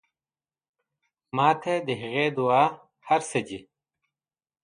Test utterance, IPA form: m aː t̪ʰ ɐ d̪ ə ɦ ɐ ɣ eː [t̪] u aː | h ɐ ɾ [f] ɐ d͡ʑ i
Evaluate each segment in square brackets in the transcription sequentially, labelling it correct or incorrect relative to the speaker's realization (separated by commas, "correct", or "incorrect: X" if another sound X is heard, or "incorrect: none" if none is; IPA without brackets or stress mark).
incorrect: d̪, incorrect: s